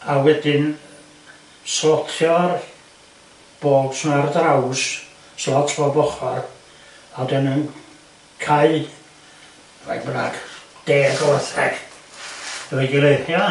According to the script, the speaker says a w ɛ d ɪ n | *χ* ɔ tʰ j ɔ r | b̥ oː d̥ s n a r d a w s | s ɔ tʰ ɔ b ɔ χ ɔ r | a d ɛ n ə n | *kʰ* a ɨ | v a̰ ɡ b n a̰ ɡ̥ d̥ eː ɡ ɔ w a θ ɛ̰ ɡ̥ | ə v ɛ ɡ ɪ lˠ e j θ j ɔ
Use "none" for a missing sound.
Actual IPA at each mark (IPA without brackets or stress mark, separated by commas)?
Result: s, kʰ